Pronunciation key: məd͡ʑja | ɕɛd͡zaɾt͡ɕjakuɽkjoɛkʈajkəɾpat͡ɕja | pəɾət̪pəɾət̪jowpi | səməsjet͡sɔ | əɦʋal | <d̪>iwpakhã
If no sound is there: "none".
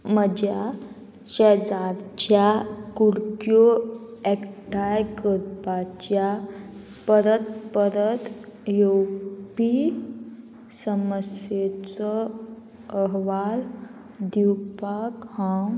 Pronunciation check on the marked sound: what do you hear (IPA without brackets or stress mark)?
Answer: d̪